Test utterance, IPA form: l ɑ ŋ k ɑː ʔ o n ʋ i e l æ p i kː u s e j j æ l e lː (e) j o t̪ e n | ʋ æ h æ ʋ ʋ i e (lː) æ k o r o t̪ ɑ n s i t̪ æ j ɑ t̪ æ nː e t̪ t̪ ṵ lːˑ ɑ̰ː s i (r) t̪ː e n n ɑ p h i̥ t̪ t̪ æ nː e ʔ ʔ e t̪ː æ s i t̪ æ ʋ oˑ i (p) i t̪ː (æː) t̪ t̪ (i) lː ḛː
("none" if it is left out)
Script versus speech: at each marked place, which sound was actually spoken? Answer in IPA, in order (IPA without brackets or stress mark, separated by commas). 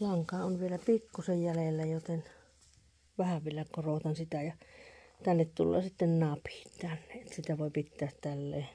æ, l, none, p, æː, æ